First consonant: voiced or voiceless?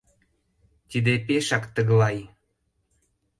voiceless